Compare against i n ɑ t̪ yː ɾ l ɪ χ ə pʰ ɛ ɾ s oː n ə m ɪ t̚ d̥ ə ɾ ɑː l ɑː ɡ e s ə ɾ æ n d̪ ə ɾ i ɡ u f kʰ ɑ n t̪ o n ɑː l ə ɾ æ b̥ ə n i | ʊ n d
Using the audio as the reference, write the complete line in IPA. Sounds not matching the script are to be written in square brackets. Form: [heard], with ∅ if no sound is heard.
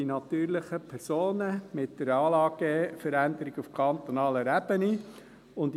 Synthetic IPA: i n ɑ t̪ yː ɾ l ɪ χ ə pʰ ɛ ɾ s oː n ə m ɪ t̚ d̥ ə ɾ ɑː l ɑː ɡ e [f] ə ɾ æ n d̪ ə ɾ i ɡ u f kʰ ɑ n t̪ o n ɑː l ə ɾ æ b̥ ə n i | ʊ n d